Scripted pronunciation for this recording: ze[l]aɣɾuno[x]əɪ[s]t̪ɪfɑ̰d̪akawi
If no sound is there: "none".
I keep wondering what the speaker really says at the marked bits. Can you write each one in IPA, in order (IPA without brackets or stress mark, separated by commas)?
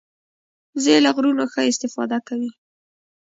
l, x, s